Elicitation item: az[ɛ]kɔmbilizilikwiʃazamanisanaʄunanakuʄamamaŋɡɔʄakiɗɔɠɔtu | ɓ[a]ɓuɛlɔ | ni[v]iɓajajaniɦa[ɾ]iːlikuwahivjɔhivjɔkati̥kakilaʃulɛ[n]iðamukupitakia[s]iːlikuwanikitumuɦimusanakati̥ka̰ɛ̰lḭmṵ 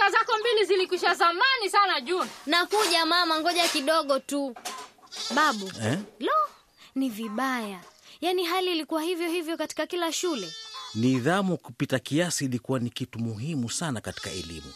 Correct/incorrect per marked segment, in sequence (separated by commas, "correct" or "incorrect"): incorrect, correct, correct, incorrect, correct, correct